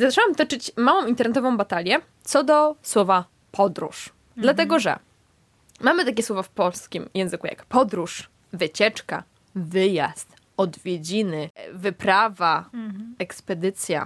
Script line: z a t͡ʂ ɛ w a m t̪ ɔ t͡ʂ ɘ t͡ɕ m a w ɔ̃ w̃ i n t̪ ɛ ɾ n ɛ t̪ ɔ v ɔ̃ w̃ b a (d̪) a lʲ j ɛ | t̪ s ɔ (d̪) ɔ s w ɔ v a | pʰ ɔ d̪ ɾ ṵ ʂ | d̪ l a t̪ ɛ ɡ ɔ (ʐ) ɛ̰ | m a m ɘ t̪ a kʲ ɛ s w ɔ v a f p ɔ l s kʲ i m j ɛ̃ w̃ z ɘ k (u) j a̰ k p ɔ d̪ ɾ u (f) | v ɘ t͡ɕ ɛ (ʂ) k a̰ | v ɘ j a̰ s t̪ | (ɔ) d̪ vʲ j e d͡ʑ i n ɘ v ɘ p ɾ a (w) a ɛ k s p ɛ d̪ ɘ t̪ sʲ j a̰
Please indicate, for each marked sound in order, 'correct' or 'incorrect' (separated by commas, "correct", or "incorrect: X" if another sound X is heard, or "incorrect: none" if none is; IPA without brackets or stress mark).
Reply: incorrect: t̪, correct, correct, correct, incorrect: ʂ, incorrect: t͡ʂ, correct, incorrect: v